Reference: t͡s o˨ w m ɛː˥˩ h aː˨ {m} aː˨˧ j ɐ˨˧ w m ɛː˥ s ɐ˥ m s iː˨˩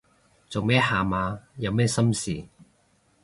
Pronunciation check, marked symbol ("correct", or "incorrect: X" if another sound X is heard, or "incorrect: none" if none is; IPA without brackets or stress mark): correct